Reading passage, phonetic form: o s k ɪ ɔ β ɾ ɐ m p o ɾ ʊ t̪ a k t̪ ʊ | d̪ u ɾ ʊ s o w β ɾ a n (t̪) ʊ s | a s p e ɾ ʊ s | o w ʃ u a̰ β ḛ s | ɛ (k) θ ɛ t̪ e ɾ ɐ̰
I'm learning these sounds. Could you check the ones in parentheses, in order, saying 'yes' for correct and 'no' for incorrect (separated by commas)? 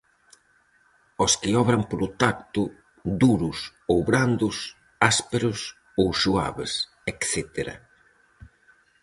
no, yes